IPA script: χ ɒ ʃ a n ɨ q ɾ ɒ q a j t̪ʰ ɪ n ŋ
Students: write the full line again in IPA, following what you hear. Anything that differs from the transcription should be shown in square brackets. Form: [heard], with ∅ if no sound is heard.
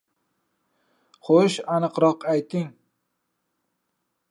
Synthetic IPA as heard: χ [o] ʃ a n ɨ q ɾ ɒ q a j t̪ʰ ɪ [∅] ŋ